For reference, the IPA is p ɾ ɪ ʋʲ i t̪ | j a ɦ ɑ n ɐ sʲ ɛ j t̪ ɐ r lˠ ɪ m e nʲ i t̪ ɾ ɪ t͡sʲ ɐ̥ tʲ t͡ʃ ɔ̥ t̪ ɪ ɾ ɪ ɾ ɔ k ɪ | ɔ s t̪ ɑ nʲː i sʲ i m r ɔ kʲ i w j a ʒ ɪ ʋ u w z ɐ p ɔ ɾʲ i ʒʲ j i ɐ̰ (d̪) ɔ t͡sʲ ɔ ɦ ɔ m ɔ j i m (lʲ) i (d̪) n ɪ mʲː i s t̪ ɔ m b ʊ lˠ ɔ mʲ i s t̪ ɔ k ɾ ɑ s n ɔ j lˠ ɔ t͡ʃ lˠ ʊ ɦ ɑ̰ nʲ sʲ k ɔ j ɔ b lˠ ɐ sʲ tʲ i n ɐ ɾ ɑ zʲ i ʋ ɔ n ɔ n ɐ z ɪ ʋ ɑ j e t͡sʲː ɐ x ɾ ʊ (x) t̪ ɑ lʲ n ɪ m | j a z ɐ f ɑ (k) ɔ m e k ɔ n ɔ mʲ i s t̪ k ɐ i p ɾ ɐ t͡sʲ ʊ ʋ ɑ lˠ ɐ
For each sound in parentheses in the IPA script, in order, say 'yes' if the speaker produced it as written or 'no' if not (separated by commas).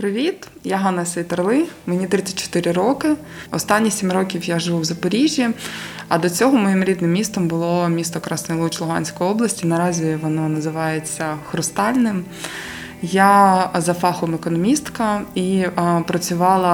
yes, no, yes, no, no